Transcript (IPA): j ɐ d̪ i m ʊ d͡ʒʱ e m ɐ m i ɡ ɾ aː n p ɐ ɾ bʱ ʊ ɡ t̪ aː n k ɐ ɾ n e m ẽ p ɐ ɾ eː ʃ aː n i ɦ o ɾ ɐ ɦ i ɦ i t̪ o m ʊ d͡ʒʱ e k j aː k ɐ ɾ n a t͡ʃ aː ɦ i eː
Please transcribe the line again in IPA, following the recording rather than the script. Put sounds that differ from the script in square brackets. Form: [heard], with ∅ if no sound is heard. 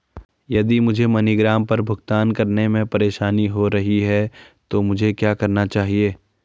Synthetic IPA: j ɐ d̪ i m ʊ d͡ʒʱ e m ɐ [n] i ɡ ɾ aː [m] p ɐ ɾ bʱ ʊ ɡ t̪ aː n k ɐ ɾ n e m ẽ p ɐ ɾ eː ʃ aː n i ɦ o ɾ ɐ ɦ i ɦ [ɛ] t̪ o m ʊ d͡ʒʱ e k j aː k ɐ ɾ n a t͡ʃ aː ɦ i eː